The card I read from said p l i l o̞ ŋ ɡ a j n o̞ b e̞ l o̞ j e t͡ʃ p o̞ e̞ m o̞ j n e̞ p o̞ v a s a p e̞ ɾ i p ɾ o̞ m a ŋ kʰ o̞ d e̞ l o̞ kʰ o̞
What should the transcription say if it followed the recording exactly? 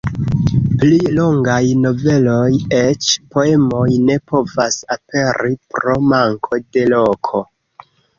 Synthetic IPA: p l i l o̞ ŋ ɡ a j n o̞ v e̞ l o̞ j e t͡ʃ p o̞ e̞ m o̞ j n e̞ p o̞ v a s a p e̞ ɾ i p ɾ o̞ m a ŋ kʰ o̞ d e̞ l o̞ kʰ o̞

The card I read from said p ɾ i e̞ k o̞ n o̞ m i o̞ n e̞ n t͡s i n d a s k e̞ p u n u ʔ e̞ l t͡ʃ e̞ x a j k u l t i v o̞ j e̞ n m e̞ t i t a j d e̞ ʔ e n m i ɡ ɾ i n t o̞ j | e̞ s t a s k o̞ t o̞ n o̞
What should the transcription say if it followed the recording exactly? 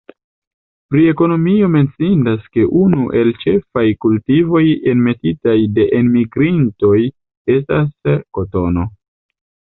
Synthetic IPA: p ɾ i e̞ k o̞ n o̞ m i o̞ m e̞ n t͡s i n d a s k e̞ ʔ u n u ʔ e̞ l t͡ʃ e̞ f a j k u l t i v o̞ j e̞ n m e̞ t i t a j d e̞ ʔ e n m i ɡ ɾ i n t o̞ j | e̞ s t a s k o̞ t o̞ n o̞

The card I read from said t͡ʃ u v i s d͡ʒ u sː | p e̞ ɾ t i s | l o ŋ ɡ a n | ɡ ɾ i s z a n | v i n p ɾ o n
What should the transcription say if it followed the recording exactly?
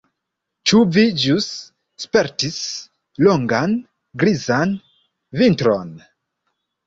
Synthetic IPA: t͡ʃ u v i d͡ʒ u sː | p e̞ ɾ t i s | l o ŋ ɡ a n | ɡ ɾ i z a n | v i n t ɾ o n

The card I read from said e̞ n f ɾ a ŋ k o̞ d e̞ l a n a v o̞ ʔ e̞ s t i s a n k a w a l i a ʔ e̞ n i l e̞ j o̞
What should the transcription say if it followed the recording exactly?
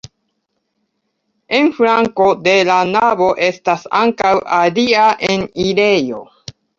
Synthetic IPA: e̞ n f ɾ a ŋ k o̞ d e̞ l a n a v o̞ ʔ e̞ s t a s a ŋ k a w a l i a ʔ e̞ n i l e̞ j o̞

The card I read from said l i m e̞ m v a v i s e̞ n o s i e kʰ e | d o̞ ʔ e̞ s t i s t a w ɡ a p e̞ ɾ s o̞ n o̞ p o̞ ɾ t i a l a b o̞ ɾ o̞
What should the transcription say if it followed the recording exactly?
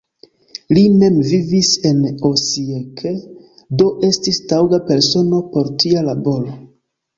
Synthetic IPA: l i m e̞ m v i v i s e̞ n o s i e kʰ e | d o̞ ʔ e̞ s t i s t a w ɡ a p e̞ ɾ s o̞ n o̞ p o̞ ɾ t i a l a b o̞ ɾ o̞

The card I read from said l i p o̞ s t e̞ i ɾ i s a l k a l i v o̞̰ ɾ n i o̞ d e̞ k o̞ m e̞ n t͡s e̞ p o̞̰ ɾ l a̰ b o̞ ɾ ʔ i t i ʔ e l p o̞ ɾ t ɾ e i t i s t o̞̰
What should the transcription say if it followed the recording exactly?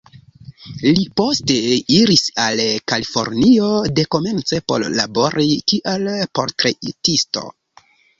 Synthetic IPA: l i p o̞ s t e̞ i ɾ i s a l k a l i f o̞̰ ɾ n i o̞ d e̞ k o̞ m e̞ n t͡s e̞ p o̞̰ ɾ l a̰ b o̞ ɾ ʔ i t i ʔ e l p o̞ ɾ t ɾ e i t i s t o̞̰

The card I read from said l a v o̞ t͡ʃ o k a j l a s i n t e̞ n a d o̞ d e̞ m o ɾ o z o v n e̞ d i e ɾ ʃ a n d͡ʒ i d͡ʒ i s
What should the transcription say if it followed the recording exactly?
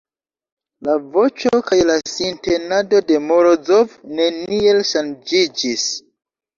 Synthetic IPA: l a v o̞ t͡ʃ o k a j l a s i n t e̞ n a d o̞ d e̞ m o ɾ o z o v n e̞ n i e l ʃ a n d͡ʒ i d͡ʒ i s

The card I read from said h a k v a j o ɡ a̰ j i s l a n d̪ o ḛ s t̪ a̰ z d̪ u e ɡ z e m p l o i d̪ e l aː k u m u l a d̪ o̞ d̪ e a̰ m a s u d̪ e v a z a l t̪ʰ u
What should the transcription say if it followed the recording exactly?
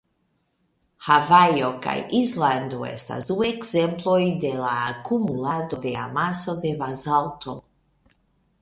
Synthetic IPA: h a v a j o k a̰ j i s l a n d̪ o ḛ s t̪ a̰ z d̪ u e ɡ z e m p l o j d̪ e l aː k u m u l a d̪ o̞ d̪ e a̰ m a s o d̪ e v a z a l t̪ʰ o

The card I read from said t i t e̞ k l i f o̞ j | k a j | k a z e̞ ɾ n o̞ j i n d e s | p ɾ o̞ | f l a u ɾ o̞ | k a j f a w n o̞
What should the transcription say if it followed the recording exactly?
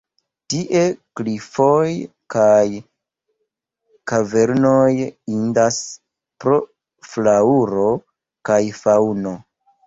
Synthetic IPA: t i ʔ e̞ k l i f o̞ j | k a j | k a v e̞ ɾ n o̞ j i n d a s | p ɾ o̞ | f l a u ɾ o̞ | k a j f a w n o̞

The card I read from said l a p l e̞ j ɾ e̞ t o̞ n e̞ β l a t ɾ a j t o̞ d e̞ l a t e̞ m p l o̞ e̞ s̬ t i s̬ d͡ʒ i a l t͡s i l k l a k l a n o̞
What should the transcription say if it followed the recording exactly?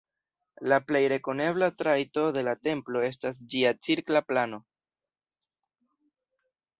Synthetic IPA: l a p l e̞ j ɾ e̞ k o̞ n e̞ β l a t ɾ a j t o̞ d e̞ l a t e̞ m p l o̞ e̞ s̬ t a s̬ d͡ʒ i a t͡s i ɾ k l a p l a n o̞

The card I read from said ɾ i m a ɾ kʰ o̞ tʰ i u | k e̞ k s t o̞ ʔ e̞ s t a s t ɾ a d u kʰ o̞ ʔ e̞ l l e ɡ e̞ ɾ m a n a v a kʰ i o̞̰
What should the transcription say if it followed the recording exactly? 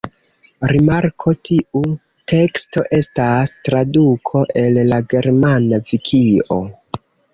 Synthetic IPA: ɾ i m a ɾ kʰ o̞ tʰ i u | t e̞ k s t o̞ ʔ e̞ s t a s t ɾ a d u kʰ o̞ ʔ e̞ l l a ɡ e̞ ɾ m a n a v i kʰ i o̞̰

